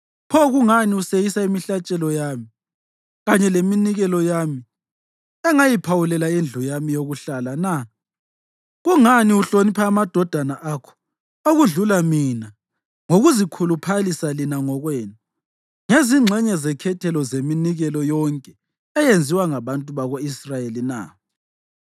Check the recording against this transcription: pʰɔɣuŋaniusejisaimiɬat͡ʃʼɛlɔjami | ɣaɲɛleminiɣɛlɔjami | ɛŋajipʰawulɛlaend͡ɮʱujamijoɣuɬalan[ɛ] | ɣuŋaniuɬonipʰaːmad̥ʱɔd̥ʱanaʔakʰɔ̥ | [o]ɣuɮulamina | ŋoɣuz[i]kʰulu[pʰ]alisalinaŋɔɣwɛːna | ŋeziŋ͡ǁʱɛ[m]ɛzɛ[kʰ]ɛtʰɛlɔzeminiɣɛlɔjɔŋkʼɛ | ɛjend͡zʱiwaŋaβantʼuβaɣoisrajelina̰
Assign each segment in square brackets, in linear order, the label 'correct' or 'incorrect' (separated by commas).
incorrect, correct, correct, correct, incorrect, correct